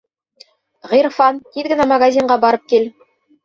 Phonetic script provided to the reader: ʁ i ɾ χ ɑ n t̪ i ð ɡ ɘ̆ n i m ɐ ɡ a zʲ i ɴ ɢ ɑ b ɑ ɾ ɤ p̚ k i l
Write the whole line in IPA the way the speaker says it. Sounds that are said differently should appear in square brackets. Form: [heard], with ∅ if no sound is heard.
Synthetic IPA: ʁ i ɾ [f] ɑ n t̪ i ð ɡ ɘ̆ n [æ] m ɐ ɡ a zʲ i ɴ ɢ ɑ b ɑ ɾ ɤ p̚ k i l